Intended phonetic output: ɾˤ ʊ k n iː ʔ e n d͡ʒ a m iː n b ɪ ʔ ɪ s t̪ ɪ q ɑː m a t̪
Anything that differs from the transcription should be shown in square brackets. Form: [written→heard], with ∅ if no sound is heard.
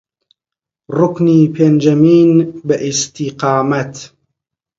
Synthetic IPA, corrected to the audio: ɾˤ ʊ k n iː [ʔ→p] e n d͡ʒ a m iː n b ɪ ʔ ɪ s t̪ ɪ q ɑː m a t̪